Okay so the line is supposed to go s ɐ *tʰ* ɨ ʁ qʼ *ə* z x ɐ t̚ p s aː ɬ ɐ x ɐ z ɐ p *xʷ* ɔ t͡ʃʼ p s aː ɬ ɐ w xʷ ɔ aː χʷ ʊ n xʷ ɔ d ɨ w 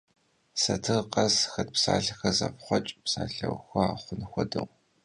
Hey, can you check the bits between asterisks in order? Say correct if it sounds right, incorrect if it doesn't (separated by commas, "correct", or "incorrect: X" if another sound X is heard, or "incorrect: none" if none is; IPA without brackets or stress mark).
correct, incorrect: ɐ, incorrect: χʷ